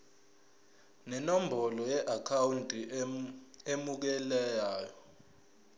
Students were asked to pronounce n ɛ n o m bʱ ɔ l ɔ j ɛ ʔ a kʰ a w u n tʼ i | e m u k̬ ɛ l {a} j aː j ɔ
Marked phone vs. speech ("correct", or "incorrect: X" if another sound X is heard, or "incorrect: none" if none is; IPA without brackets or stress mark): incorrect: ɛ